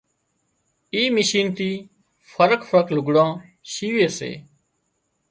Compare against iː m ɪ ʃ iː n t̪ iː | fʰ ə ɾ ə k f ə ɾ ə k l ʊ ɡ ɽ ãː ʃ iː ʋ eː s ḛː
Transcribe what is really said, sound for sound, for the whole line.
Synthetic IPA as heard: iː m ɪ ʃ iː n t̪ iː | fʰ ə ɾ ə k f ə ɾ ə k l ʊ ɡ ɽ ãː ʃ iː ʋ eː s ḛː